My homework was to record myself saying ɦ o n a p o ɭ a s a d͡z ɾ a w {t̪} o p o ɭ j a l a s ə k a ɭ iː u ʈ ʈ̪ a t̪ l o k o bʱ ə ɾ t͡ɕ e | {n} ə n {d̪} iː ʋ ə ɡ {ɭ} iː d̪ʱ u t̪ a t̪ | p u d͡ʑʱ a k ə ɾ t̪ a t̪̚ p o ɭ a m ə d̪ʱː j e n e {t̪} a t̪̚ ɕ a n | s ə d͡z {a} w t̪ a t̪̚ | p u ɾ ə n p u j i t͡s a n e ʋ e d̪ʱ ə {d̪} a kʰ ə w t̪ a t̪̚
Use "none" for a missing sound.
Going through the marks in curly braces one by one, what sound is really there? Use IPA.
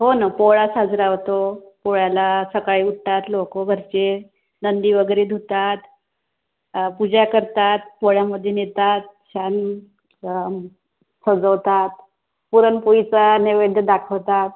t̪, n, d̪, ɾ, t̪, ə, d̪

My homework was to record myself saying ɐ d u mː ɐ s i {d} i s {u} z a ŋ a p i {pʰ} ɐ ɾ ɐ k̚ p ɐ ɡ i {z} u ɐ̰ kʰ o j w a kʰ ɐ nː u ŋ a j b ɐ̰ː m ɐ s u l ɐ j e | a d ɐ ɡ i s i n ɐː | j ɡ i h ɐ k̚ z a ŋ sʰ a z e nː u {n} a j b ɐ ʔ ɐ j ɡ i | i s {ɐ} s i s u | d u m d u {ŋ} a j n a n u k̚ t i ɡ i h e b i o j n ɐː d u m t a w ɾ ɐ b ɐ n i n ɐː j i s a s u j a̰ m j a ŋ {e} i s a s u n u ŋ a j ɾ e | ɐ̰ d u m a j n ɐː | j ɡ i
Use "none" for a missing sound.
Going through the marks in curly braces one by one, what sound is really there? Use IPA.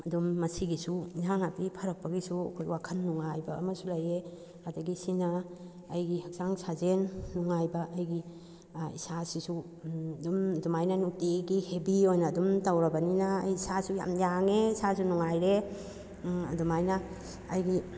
ɡ, u, pʰ, s, ŋ, a, m, e

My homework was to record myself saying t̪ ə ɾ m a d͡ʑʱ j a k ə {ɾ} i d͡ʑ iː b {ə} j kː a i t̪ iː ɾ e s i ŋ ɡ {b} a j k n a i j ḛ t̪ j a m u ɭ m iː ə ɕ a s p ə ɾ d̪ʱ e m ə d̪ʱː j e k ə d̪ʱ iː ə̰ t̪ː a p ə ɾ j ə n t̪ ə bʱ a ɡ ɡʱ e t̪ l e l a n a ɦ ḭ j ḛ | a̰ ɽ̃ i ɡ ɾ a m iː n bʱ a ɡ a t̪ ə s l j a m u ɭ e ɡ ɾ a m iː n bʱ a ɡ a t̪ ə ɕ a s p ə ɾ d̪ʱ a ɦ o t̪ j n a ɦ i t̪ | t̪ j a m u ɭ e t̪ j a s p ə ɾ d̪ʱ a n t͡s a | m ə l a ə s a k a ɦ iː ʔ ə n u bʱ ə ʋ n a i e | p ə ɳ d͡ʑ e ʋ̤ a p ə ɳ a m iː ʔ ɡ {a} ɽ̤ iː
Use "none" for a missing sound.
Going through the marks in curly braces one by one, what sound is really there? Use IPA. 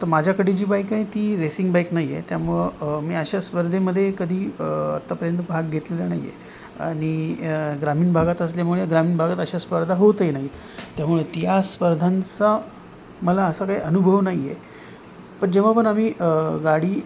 ɽ, a, b, a

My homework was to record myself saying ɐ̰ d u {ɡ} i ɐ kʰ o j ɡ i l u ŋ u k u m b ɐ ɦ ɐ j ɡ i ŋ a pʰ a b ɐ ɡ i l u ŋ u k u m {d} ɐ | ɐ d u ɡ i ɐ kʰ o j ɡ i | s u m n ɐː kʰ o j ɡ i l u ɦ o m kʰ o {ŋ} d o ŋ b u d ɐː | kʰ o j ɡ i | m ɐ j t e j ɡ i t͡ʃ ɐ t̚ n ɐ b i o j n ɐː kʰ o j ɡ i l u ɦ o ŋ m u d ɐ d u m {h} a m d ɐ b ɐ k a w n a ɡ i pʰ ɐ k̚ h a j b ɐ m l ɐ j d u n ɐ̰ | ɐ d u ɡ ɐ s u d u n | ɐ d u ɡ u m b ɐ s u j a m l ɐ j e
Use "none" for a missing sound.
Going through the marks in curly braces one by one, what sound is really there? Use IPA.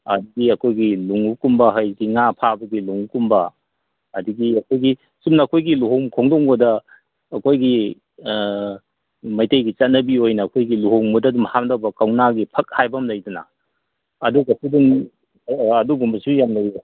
ɡ, b, ŋ, h

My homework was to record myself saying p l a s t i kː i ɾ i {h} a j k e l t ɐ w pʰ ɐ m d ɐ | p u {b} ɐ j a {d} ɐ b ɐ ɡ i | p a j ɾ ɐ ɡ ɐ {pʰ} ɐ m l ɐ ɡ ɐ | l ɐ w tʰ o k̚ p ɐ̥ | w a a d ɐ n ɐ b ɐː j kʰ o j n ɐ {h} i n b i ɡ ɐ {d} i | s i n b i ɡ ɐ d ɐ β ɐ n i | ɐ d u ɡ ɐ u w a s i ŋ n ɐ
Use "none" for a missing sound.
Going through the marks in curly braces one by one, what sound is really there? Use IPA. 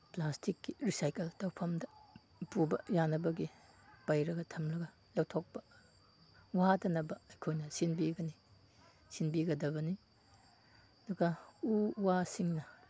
s, b, n, tʰ, s, n

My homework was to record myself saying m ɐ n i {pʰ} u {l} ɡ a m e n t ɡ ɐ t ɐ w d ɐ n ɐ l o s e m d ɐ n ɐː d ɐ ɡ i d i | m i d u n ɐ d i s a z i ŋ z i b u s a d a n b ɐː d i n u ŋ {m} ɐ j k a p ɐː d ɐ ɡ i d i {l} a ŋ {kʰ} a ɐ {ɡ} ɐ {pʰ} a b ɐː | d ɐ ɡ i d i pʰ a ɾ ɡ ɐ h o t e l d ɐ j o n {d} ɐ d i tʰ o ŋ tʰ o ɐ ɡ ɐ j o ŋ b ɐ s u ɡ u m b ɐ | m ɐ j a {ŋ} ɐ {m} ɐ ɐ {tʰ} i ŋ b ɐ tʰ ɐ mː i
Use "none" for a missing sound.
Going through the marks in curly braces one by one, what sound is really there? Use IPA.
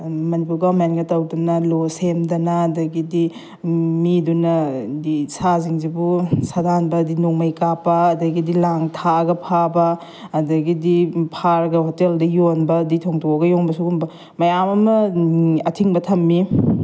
p, ɾ, m, l, tʰ, ɡ, pʰ, b, m, m, tʰ

